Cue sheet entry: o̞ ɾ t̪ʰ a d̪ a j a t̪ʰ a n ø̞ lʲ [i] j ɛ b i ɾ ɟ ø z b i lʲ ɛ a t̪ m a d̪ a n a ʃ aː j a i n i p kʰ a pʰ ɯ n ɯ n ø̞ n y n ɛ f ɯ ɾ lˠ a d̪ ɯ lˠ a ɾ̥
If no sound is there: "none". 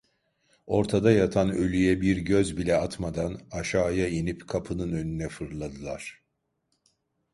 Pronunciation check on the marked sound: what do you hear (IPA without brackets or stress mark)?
y